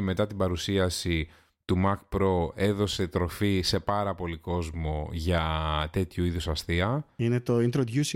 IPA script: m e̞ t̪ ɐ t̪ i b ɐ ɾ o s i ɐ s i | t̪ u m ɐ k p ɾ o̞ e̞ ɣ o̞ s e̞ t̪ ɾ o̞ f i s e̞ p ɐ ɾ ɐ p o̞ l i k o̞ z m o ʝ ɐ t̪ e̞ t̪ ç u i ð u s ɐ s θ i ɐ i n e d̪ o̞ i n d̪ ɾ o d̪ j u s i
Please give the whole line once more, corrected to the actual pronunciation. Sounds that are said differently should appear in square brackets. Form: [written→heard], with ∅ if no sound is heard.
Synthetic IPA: m e̞ t̪ ɐ t̪ i b ɐ ɾ [o→u] s i ɐ s i | t̪ u m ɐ k p ɾ o̞ e̞ [ɣ→ð] o̞ s e̞ t̪ ɾ o̞ f i s e̞ p ɐ ɾ ɐ p o̞ l i k o̞ z m o ʝ ɐ t̪ e̞ t̪ ç u i ð u s ɐ s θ i ɐ i n e [d̪→t̪] o̞ i n [d̪→t̪] ɾ o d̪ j u s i